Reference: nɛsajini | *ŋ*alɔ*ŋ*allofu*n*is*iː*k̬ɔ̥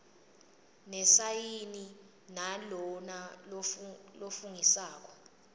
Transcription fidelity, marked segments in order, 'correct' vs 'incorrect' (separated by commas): incorrect, incorrect, incorrect, incorrect